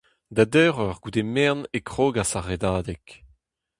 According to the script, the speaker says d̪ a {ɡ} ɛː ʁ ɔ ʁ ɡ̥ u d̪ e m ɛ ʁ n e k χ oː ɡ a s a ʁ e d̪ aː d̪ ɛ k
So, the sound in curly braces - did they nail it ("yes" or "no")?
no